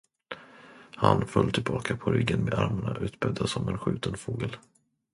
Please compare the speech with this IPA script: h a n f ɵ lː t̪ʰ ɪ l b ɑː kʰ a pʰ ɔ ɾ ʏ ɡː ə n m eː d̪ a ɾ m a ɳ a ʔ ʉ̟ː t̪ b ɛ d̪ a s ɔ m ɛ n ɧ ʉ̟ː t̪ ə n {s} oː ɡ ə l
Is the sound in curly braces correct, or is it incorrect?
incorrect